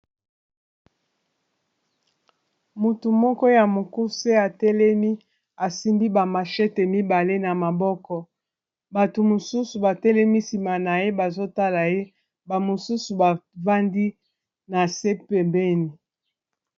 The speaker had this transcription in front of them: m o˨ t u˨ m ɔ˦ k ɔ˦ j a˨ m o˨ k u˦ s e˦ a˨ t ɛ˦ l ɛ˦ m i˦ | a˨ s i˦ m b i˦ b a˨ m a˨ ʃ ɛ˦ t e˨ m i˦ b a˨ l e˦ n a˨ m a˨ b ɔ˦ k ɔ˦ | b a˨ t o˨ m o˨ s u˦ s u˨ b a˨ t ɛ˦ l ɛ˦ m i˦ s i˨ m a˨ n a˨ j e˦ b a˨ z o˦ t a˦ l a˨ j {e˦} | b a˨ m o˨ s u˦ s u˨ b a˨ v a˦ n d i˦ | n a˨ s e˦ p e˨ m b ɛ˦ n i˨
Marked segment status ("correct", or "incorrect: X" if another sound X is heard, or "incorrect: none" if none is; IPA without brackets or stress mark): correct